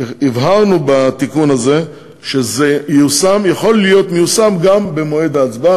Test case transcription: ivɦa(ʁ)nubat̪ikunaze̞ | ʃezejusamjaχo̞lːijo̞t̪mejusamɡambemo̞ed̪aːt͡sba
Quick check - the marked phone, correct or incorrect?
correct